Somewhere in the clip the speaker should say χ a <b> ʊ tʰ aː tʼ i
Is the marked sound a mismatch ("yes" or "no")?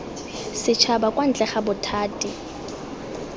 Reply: no